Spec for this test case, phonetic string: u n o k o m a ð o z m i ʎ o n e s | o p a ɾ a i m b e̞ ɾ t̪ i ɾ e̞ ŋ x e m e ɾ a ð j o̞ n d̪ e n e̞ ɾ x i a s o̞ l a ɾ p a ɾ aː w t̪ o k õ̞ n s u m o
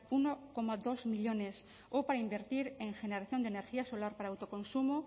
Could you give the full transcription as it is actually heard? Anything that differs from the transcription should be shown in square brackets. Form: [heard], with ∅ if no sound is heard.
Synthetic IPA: u n o k o m a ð o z m i ʎ o n e s | o p a ɾ a i m b e̞ ɾ t̪ i ɾ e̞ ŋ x e [n] e ɾ a [θ] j o̞ n d̪ e n e̞ ɾ x i a s o̞ l a ɾ p a ɾ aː w t̪ o k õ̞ n s u m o